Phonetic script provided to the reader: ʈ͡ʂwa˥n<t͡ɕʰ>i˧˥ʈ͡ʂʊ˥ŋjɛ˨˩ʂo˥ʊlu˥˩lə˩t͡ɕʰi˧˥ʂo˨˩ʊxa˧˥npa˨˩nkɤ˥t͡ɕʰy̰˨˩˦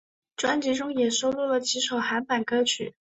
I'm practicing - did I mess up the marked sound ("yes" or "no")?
yes